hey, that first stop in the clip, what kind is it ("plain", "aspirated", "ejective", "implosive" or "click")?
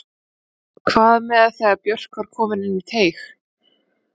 aspirated